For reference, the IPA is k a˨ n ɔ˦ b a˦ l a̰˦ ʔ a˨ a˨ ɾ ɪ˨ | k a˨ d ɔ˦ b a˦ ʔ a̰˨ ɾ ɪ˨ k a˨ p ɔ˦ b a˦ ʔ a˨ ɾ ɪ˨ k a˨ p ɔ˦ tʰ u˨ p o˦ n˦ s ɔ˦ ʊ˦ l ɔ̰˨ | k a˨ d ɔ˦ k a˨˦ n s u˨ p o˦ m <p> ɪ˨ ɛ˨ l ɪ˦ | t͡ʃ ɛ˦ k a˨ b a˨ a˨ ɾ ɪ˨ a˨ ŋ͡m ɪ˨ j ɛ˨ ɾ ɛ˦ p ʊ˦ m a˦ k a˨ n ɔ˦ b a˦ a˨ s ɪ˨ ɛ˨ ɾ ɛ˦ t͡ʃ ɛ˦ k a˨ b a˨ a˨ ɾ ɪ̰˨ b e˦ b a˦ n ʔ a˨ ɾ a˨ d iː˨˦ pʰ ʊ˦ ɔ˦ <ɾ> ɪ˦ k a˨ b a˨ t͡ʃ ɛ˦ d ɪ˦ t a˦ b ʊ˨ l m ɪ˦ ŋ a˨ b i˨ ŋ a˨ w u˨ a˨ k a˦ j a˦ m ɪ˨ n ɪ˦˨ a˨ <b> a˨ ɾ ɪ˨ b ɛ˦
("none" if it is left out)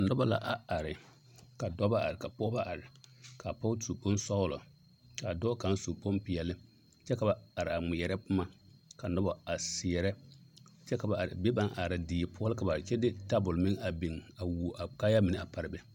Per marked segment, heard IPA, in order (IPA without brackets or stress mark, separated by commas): p, l, p